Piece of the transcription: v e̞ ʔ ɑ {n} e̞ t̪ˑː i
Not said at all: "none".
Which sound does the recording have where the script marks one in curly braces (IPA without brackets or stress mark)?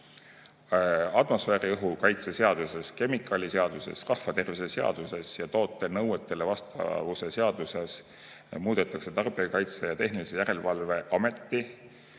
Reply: m